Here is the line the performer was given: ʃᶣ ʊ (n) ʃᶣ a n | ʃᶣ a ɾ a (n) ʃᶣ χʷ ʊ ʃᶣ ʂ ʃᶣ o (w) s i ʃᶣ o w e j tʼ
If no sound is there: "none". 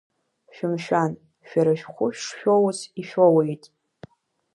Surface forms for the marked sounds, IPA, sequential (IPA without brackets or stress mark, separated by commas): m, none, w